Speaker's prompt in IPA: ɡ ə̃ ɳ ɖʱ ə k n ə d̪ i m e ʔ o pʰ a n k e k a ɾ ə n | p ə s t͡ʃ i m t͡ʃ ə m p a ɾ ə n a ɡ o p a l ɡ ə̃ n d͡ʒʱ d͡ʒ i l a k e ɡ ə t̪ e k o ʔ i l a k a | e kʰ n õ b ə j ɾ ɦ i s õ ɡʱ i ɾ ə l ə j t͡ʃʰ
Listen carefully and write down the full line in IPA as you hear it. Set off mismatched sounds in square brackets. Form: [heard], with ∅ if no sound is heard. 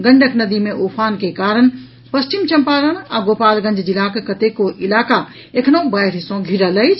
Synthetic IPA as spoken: ɡ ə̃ ɳ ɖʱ ə k n ə d̪ i m e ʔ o pʰ a n k e k a ɾ ə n | p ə s t͡ʃ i m t͡ʃ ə m p a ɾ ə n a ɡ o p a l ɡ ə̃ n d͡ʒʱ d͡ʒ i l a k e [k] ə t̪ e k o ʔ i l a k a | e kʰ n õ b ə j ɾ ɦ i s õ ɡʱ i ɾ ə l ə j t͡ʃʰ